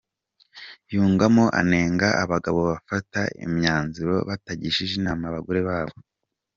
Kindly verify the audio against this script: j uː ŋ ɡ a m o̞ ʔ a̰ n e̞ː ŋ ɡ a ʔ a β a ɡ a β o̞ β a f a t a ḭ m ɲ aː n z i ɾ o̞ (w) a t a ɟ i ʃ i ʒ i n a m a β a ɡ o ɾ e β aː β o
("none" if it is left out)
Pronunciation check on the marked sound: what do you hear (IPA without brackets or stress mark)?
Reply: β